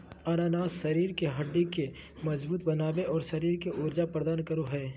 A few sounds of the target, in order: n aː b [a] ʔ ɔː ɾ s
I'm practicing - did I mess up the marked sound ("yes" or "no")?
yes